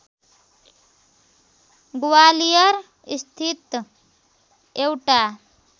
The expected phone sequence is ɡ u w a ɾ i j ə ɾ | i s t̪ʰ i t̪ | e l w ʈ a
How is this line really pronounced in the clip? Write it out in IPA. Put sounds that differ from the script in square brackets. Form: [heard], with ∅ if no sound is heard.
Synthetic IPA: ɡ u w a [l] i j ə ɾ | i s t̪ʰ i t̪ | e [∅] w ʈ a